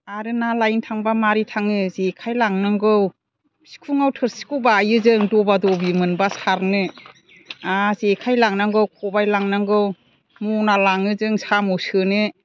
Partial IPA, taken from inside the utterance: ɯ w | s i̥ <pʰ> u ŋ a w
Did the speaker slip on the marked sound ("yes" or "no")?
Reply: yes